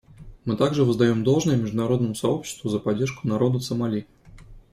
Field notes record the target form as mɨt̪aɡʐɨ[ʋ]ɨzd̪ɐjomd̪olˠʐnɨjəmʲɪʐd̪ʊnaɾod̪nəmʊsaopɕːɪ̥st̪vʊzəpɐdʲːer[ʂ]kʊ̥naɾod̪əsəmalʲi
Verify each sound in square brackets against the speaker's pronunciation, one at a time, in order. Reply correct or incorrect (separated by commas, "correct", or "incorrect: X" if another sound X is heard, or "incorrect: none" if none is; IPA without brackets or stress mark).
incorrect: v, correct